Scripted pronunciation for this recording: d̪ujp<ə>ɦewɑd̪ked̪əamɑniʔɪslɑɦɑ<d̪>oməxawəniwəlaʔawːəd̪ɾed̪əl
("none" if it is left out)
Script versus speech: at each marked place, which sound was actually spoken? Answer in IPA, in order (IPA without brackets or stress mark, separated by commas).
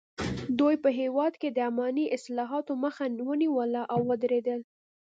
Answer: ə, t̪